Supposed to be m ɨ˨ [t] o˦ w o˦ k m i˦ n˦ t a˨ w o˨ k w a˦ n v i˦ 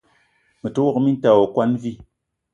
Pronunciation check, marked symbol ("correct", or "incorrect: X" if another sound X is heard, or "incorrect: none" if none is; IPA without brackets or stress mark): correct